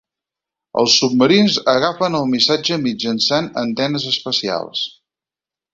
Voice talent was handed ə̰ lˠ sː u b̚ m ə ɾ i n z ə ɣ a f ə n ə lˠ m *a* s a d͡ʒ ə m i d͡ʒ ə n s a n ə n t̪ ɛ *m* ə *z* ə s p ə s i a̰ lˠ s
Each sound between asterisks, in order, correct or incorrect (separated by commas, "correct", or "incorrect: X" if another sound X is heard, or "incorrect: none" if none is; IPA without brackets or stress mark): incorrect: i, incorrect: n, correct